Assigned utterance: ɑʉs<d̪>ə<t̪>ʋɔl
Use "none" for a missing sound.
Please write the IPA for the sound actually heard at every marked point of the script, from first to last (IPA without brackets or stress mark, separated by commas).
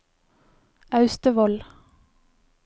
t̪, none